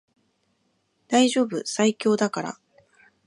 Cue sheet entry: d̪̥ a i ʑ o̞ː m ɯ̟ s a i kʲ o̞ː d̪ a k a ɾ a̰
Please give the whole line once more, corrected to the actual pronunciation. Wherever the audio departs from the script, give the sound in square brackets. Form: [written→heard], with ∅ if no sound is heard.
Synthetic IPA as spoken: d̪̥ a i ʑ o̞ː [m→b] ɯ̟ s a i kʲ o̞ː d̪ a k a ɾ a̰